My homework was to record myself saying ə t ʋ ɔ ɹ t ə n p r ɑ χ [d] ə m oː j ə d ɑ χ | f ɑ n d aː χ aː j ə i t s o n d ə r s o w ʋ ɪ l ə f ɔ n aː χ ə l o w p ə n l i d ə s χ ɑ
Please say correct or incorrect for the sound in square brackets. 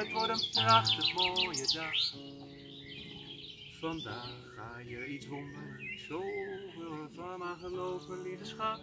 incorrect